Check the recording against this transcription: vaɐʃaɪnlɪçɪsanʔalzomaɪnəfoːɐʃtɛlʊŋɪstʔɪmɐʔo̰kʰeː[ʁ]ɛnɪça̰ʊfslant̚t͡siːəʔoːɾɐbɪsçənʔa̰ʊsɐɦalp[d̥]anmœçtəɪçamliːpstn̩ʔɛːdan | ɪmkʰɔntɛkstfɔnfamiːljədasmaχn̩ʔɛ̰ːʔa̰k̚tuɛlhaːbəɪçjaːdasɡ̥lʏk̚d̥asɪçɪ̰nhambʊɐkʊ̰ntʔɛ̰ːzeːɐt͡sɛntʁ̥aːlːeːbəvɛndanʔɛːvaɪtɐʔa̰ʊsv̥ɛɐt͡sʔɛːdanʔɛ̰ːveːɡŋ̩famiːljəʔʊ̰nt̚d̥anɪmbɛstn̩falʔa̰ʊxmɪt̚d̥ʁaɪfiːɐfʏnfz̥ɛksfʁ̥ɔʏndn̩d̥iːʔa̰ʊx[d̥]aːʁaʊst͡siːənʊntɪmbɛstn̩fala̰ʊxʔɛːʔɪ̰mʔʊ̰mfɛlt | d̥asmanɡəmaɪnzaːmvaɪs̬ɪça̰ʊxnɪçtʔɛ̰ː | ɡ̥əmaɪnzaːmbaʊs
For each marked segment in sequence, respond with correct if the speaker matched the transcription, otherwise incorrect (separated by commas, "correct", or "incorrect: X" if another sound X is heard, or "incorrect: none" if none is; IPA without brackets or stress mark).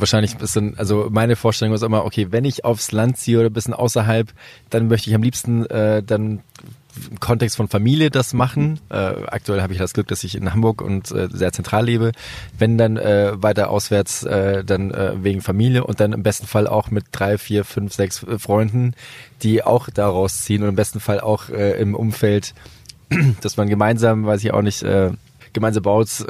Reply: incorrect: v, correct, correct